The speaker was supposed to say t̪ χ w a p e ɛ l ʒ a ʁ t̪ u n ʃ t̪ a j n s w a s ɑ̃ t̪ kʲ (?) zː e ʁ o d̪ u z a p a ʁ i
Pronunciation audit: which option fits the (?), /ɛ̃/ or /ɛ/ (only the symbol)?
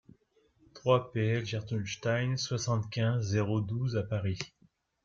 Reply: ɛ̃